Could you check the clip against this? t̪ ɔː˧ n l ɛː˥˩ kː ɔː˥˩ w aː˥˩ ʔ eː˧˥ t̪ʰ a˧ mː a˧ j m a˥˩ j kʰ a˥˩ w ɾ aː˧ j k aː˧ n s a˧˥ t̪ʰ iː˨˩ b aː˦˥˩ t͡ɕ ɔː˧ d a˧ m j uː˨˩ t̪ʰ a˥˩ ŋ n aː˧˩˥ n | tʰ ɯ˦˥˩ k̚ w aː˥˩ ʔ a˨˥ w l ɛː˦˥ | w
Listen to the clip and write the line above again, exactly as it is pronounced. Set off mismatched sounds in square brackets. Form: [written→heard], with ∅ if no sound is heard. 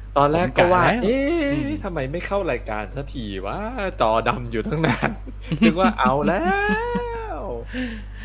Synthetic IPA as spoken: t̪ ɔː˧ n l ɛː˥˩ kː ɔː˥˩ w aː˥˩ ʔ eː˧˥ t̪ʰ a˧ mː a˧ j m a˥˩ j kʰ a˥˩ w ɾ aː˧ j k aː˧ n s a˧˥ t̪ʰ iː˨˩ [b→w] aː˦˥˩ t͡ɕ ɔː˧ d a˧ m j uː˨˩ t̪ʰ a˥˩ ŋ n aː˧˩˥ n | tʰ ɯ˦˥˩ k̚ w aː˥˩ ʔ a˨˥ w l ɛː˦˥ | w